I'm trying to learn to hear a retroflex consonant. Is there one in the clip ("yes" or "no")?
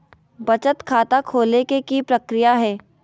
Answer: no